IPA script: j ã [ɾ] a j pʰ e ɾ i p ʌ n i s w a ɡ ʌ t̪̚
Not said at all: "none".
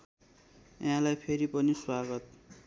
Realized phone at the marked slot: l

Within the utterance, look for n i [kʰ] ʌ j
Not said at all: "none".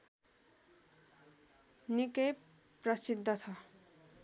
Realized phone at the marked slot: k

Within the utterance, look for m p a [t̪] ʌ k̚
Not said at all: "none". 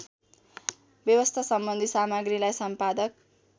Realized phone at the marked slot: d̪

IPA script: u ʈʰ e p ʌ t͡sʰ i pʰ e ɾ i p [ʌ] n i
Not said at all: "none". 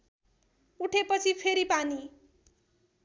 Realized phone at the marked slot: a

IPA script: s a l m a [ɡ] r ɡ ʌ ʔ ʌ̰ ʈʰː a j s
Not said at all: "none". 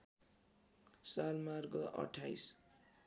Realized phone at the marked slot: none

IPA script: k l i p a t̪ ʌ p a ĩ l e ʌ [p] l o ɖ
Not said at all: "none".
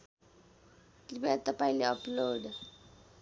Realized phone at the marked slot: p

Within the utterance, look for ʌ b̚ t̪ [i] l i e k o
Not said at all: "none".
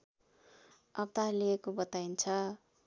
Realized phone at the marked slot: a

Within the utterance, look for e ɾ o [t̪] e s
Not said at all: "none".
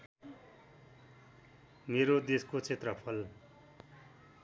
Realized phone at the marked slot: d̪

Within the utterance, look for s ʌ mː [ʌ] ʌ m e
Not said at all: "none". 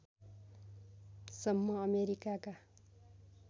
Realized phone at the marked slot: ʌ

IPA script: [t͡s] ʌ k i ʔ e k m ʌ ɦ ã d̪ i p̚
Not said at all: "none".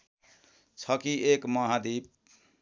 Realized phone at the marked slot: t͡sʰ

